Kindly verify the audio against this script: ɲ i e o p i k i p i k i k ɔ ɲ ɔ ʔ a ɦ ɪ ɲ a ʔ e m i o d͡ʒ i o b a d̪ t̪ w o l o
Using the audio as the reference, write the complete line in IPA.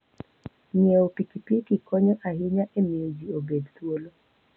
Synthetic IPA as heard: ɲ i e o p i k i p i k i k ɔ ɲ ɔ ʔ a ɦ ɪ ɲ a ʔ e m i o d͡ʒ i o b e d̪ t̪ w o l o